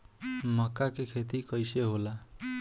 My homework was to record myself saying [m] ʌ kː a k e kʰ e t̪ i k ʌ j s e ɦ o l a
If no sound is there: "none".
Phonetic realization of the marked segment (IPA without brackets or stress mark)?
m